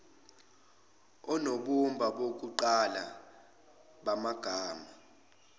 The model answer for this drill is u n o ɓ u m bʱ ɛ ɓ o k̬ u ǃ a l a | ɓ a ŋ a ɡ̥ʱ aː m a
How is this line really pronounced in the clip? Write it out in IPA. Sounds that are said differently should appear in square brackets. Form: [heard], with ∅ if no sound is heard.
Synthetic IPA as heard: [ɔ] n o ɓ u m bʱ [a] ɓ o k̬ u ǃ a l a | ɓ a [m] a ɡ̥ʱ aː m a